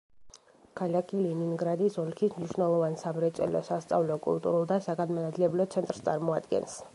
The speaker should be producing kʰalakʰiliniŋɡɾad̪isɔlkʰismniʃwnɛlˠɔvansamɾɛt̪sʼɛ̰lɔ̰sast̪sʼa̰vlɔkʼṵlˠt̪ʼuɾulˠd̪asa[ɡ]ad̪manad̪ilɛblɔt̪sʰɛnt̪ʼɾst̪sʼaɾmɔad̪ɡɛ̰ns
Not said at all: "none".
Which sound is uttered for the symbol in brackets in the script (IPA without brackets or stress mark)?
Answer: ɡ